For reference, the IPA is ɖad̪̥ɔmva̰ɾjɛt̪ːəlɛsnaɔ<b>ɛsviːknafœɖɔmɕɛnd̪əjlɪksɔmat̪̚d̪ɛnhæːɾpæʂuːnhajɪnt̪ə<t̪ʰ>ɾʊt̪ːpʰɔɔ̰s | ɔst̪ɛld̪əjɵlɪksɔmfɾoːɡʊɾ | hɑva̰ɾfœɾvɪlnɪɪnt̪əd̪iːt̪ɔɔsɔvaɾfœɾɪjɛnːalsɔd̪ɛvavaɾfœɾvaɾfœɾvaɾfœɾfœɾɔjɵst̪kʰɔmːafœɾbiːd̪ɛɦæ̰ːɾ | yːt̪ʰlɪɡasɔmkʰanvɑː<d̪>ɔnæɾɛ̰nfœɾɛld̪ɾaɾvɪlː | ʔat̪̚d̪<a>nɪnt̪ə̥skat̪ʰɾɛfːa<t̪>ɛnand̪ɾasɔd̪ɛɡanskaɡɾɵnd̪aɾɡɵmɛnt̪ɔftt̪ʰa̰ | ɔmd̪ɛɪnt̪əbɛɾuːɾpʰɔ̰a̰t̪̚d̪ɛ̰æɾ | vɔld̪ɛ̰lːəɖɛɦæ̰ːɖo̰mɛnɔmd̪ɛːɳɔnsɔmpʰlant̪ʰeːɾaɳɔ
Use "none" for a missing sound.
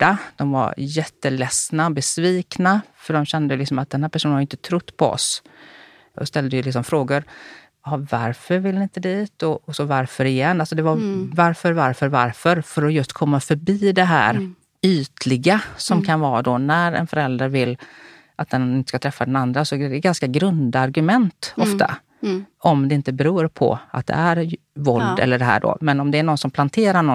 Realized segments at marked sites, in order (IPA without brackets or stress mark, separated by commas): b, t̪ʰ, d̪, ɛ, d̪